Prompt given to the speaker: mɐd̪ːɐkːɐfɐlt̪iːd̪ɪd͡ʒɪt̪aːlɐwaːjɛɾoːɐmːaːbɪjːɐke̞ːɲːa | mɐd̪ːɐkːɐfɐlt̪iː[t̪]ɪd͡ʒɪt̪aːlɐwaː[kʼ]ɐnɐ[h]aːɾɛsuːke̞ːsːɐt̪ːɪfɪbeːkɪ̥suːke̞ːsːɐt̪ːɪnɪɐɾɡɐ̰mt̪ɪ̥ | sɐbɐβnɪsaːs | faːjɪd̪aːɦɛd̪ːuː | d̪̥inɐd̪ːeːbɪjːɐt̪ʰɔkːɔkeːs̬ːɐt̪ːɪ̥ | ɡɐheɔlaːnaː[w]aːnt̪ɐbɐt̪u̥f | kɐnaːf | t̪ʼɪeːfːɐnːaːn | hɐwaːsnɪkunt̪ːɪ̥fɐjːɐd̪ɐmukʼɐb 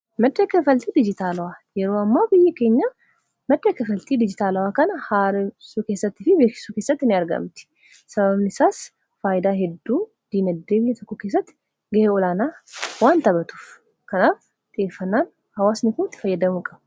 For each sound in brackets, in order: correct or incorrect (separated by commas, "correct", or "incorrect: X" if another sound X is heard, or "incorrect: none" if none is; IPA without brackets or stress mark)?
incorrect: d̪, incorrect: k, correct, correct